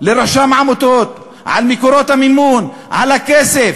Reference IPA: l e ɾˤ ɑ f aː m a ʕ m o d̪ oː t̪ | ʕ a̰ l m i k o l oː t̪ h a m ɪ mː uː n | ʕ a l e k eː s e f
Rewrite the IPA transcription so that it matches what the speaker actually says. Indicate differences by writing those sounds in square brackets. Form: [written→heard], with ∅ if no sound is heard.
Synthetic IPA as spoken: l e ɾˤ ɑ [f→ʃ] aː m a ʕ m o [d̪→t̪] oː t̪ | ʕ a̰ l m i k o [l→ɾ] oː t̪ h a m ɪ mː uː n | ʕ a l [e→a] k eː s e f

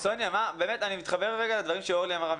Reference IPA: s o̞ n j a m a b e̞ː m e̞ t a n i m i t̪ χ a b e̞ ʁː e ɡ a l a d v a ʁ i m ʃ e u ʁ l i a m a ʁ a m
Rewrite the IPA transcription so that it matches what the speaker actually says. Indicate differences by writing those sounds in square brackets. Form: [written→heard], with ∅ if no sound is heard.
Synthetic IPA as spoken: s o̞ n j a m a b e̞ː m e̞ t a n i m i t̪ χ a b e̞ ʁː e ɡ a l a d v a ʁ i m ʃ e [u→o] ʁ l i a m a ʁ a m

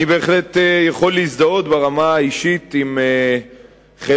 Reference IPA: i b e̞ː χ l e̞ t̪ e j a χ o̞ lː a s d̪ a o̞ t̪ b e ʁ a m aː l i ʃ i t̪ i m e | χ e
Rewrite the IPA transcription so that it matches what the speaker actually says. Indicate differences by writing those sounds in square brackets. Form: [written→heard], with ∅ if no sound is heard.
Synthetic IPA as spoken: i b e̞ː χ l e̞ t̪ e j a χ o̞ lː [a→i] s d̪ a o̞ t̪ b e ʁ a m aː [l→∅] i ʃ i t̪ i m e | χ e

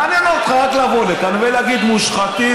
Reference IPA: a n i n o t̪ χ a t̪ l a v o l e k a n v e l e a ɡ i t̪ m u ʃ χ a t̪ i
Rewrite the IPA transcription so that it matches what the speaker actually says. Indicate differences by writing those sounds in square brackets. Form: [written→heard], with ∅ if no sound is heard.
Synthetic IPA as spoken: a n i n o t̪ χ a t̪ l a v o l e k a n v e l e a ɡ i [t̪→d̪] m u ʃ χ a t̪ i

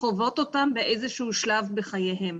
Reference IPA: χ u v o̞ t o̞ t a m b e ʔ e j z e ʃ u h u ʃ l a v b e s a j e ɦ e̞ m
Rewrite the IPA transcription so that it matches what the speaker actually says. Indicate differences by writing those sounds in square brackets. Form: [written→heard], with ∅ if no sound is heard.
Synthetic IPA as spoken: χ [u→o] v o̞ t o̞ t a m b e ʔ e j z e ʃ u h u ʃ l a v b e [s→χ] a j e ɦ e̞ m

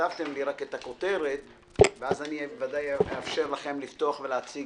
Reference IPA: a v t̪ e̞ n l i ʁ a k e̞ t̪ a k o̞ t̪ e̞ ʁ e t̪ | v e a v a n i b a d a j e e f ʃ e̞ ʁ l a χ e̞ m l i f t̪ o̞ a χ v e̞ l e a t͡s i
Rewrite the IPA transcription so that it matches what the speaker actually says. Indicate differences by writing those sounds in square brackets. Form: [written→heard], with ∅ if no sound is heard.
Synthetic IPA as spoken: a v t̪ e̞ [n→m] l i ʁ a k e̞ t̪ a k o̞ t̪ e̞ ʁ e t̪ | v e a [v→z] a n i [b→v] a d a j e [e→a] f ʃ e̞ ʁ l a χ e̞ m l i f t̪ o̞ a χ v e̞ l e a t͡s i

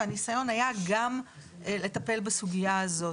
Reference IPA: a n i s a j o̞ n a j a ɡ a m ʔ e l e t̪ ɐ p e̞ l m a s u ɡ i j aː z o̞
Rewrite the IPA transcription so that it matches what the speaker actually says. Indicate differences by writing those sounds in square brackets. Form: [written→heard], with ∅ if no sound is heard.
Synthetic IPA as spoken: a n i s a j o̞ n a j a ɡ a m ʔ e l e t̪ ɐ p e̞ l [m→b] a s u ɡ i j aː z o̞

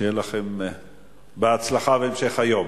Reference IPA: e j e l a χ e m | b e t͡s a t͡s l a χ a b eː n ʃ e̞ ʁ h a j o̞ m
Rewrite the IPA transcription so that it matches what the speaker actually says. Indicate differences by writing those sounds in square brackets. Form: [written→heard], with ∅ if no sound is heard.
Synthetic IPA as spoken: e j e l a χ e m | b e [t͡s→∅] a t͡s l a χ a [b→v] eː [n→m] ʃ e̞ [ʁ→χ] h a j o̞ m

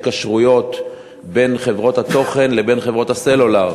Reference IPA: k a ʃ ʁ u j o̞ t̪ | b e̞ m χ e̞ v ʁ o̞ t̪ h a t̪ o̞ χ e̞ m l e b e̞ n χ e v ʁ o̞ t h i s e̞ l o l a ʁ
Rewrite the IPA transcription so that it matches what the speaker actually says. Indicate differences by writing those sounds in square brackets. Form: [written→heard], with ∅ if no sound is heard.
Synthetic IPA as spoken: k a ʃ ʁ u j o̞ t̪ | b e̞ [m→n] χ e̞ v ʁ o̞ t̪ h a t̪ o̞ χ e̞ [m→n] l e b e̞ n χ e v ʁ o̞ t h [i→a] s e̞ l o l a ʁ

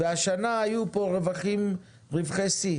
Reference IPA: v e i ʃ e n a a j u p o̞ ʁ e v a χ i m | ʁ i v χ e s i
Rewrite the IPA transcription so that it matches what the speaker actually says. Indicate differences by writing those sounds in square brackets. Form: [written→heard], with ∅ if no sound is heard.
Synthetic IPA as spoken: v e [i→a] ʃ [e→a] n a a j u p o̞ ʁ e v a χ i m | ʁ i v χ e s i

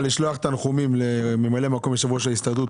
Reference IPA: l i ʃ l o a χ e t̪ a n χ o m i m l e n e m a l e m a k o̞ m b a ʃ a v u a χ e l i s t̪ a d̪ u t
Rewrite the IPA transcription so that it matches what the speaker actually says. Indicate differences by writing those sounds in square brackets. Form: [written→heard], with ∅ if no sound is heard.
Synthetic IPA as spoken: l i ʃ l o a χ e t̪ a n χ [o→u] m i m l e [n→m] e m a l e m a k o̞ m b [a→e] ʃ a v u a [χ→ʃ] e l i s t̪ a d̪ u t

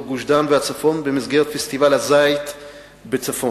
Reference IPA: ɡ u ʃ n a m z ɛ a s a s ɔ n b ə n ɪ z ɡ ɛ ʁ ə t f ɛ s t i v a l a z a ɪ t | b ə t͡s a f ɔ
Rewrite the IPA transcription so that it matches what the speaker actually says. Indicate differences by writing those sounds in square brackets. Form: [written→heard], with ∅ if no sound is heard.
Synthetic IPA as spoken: ɡ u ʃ [n→d] a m [z→v] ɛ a [s→t͡s] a [s→f] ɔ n b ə [n→m] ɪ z ɡ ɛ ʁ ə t f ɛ s t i v a l a z a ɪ t | b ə t͡s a f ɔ

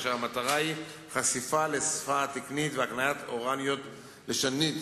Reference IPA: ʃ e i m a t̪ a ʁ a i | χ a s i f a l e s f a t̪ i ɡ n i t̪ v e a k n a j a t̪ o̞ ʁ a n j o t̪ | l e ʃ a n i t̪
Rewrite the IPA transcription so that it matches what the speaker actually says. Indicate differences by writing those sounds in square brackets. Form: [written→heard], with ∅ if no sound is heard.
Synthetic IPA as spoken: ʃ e [i→a] m a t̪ a ʁ a i | χ a s i f a l e s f a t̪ i [ɡ→k] n i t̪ v e a k n a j a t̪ o̞ ʁ a n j o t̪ | l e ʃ a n i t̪

